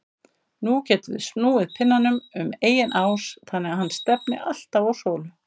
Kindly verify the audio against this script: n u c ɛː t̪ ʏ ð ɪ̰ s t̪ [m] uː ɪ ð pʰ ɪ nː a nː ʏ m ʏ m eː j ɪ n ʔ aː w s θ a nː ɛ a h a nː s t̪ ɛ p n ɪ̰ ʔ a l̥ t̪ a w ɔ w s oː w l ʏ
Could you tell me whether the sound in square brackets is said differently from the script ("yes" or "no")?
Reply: yes